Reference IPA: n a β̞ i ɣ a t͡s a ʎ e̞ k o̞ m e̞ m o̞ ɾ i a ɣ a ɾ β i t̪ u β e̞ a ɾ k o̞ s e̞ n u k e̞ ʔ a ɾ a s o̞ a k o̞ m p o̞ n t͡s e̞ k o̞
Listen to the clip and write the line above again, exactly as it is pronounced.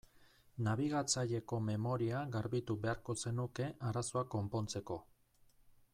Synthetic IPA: n a β̞ i ɣ a t͡s a ʎ e̞ k o̞ m e̞ m o̞ ɾ i a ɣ a ɾ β i t̪ u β e̞ a ɾ k o̞ s e̞ n u k e̞ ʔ a ɾ a s o̞ a k o̞ m p o̞ n t͡s e̞ k o̞